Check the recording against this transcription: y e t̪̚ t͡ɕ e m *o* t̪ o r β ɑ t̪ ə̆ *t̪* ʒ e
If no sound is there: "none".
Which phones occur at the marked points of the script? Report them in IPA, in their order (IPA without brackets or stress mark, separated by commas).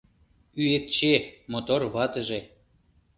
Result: o, none